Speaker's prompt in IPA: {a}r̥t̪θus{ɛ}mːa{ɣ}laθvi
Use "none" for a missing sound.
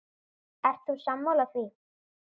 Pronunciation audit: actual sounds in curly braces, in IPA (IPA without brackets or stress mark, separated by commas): ɛ, a, w